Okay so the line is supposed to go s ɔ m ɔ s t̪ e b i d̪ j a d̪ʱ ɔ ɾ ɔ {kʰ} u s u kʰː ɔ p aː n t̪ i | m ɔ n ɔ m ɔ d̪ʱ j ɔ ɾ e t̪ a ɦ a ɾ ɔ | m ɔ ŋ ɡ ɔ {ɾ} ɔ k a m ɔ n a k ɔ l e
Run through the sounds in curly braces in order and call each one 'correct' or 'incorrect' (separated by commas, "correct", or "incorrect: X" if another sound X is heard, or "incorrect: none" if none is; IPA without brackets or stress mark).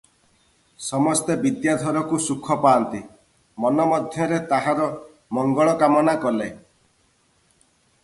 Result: incorrect: k, incorrect: ɭ